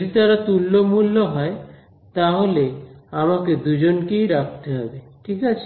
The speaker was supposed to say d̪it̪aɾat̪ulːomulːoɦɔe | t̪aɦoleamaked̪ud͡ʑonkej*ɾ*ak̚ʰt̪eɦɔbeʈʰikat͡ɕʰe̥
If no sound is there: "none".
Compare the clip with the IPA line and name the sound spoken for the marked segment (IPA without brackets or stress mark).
ɾ